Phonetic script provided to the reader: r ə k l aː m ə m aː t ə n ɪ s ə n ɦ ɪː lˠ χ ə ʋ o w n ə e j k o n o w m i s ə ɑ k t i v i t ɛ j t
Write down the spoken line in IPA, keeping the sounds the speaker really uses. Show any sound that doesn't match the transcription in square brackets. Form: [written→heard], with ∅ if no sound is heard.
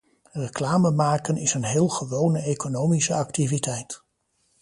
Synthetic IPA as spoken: r ə k l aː m ə m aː [t→k] ə n ɪ s ə n ɦ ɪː lˠ χ ə ʋ o w n ə e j k o n o w m i s ə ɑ k t i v i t ɛ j t

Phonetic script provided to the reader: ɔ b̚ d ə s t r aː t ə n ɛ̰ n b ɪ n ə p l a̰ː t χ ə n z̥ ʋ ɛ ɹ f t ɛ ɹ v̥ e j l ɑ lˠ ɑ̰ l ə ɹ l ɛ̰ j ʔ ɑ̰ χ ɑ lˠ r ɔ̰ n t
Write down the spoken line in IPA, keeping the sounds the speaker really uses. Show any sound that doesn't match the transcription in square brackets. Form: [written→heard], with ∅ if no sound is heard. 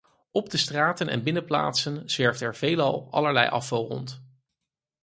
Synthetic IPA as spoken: ɔ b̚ d ə s t r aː t ə n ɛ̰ n b ɪ n ə p l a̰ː t [χ→s] ə n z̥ ʋ ɛ ɹ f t ɛ ɹ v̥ e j l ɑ lˠ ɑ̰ l ə ɹ l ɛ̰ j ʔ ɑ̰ [χ→f] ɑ lˠ r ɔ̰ n t

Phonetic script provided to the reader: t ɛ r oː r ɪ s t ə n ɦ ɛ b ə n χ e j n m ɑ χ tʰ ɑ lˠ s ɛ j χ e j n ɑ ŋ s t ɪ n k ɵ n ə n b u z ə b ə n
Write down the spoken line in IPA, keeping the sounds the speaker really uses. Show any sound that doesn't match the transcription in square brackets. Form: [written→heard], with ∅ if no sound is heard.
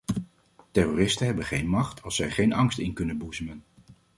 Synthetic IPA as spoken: t ɛ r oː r ɪ s t ə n ɦ ɛ b ə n χ e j n m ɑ χ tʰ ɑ lˠ s ɛ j χ e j n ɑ ŋ s t ɪ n k ɵ n ə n b u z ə [b→m] ə n

